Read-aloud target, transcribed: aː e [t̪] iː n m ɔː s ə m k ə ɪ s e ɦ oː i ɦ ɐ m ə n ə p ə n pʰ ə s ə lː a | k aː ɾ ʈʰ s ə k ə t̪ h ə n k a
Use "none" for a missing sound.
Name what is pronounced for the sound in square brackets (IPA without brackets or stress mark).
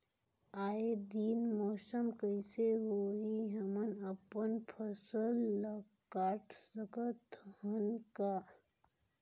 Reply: d̪